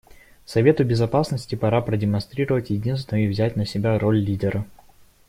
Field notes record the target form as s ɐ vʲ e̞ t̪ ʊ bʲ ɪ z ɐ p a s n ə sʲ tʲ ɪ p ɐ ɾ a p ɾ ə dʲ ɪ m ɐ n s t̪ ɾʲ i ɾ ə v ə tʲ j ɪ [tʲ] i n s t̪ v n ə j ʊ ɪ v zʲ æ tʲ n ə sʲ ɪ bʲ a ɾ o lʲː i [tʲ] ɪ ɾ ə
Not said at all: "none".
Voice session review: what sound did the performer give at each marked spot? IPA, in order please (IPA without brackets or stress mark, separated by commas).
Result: dʲ, dʲ